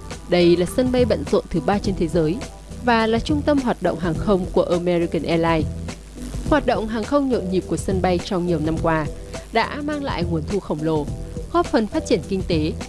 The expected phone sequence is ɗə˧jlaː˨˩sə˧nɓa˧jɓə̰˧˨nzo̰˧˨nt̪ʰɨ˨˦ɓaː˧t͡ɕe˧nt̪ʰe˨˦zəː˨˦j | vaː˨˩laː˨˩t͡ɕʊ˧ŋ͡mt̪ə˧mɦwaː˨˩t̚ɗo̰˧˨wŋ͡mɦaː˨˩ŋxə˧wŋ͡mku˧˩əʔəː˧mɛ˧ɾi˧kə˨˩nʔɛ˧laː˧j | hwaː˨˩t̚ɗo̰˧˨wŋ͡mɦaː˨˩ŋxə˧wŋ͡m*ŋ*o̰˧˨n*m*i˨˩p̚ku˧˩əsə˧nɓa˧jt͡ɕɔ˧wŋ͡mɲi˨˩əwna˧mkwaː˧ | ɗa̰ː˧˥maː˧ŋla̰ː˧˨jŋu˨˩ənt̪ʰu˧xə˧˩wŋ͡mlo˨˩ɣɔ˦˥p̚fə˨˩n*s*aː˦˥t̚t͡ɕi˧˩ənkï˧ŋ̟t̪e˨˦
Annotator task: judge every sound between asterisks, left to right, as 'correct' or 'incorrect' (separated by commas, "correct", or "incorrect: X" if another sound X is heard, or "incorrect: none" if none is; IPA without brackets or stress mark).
incorrect: ɲ, incorrect: ɲ, incorrect: f